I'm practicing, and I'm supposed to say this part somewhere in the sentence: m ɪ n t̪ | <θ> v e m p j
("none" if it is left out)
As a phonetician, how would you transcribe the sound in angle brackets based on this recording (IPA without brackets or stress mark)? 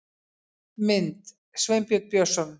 s